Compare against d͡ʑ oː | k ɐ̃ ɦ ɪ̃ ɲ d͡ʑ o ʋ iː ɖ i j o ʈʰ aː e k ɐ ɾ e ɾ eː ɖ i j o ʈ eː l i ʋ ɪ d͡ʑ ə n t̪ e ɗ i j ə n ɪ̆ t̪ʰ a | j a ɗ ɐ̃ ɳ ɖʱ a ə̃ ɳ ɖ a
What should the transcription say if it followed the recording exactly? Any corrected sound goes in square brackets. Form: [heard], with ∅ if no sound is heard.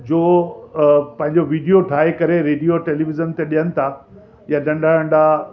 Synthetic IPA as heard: d͡ʑ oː | [p] ɐ̃ ɦ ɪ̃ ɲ d͡ʑ o ʋ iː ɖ i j o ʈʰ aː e k ɐ ɾ e ɾ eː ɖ i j o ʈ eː l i ʋ ɪ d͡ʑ ə n t̪ e ɗ i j ə n ɪ̆ t̪ʰ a | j a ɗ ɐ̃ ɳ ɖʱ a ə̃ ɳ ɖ a

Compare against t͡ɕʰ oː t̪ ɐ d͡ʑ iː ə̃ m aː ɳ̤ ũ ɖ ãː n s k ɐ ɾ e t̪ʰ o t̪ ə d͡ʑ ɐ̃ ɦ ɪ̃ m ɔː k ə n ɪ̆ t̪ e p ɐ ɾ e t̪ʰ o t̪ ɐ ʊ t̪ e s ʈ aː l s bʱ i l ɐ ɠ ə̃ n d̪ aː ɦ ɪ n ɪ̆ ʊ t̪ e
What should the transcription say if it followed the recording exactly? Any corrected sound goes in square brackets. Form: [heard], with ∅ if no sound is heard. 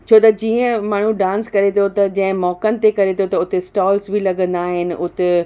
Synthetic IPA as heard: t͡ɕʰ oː t̪ ɐ d͡ʑ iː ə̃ m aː ɳ̤ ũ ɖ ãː n s k ɐ ɾ e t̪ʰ o t̪ [ɐ] d͡ʑ ɐ̃ ɦ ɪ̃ m ɔː k ə n ɪ̆ t̪ e [k] ɐ ɾ e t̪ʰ o t̪ ɐ ʊ t̪ e s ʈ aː l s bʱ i l ɐ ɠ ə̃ n d̪ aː ɦ ɪ n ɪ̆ ʊ t̪ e

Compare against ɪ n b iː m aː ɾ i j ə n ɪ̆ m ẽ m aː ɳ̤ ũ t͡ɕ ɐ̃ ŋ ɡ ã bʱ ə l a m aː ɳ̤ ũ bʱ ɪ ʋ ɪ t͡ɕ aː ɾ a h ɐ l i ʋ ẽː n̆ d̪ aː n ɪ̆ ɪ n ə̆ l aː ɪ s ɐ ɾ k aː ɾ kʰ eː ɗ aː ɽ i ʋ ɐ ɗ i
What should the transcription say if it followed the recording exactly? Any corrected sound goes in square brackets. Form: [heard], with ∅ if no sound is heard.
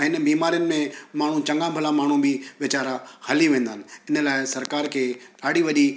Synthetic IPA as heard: ɪ n b iː m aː ɾ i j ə n ɪ̆ m ẽ m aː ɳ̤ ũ t͡ɕ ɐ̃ ŋ ɡ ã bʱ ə l a m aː ɳ̤ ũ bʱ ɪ ʋ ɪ t͡ɕ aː ɾ a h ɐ l i ʋ ẽː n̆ d̪ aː n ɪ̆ ɪ n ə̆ l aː ɪ s ɐ ɾ k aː ɾ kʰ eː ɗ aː ɽ i ʋ ɐ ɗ i

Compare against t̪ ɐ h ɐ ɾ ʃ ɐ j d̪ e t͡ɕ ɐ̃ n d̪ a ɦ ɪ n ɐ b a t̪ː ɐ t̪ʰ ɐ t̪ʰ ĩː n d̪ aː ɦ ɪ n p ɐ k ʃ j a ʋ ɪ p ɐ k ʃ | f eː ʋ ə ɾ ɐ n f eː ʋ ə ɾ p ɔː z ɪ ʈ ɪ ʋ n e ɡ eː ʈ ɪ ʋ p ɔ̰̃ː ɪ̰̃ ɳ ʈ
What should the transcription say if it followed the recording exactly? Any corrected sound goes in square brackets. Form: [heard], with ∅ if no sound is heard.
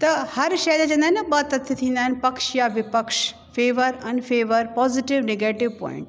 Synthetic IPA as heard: t̪ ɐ h ɐ ɾ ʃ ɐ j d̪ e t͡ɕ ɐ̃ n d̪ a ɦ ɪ n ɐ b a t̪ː ɐ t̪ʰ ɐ t̪ʰ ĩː n d̪ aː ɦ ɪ n p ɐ k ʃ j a ʋ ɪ p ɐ k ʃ | f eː ʋ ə ɾ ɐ n f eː ʋ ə ɾ p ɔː z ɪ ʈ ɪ ʋ n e ɡ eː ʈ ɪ ʋ p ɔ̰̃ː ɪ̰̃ ɳ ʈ

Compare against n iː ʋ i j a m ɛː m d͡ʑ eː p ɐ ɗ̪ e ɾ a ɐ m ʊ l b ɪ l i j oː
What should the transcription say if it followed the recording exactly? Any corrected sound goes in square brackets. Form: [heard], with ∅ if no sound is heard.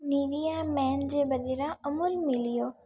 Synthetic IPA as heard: n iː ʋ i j a m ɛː [n] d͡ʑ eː [b] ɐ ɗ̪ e ɾ a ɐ m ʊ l [m] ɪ l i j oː

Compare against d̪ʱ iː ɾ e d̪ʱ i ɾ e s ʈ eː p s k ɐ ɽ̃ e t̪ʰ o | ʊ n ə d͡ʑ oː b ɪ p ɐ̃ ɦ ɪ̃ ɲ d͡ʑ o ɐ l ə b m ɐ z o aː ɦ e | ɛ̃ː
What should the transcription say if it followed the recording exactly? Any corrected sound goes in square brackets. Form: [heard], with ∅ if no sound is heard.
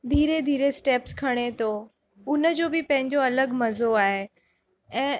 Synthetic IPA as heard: d̪ʱ iː ɾ e d̪ʱ [iː] ɾ e s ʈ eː p s [kʰ] ɐ ɽ̃ e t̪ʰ o | ʊ n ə d͡ʑ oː b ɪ p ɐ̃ ɦ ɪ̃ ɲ d͡ʑ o ɐ l ə [ɡ] m ɐ z o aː ɦ e | ɛ̃ː

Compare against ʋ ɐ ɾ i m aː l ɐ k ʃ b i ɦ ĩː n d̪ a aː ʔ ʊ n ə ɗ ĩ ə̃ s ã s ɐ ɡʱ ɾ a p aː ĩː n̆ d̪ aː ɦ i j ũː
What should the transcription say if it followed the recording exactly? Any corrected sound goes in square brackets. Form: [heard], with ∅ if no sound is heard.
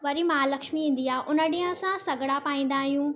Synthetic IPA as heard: ʋ ɐ ɾ i m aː l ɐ k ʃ [m] i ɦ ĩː n d̪ [i] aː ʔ ʊ n ə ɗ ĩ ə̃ s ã s ɐ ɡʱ [ɽ] a p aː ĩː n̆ d̪ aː ɦ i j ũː

